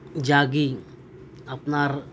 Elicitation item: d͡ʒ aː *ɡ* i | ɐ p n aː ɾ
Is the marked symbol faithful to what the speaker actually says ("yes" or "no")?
yes